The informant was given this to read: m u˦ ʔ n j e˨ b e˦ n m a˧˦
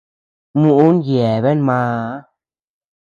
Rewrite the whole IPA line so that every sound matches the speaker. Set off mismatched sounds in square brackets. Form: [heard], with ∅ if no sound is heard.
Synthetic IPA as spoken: m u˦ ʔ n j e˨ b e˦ n m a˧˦